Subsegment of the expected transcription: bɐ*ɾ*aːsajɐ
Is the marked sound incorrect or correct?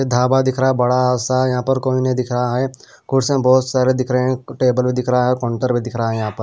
incorrect